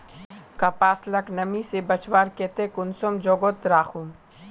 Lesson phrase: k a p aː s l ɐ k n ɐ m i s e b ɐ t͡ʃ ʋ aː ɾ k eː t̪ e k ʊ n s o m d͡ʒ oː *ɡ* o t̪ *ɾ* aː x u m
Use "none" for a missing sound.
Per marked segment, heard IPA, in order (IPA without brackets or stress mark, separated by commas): ɡ, ɾ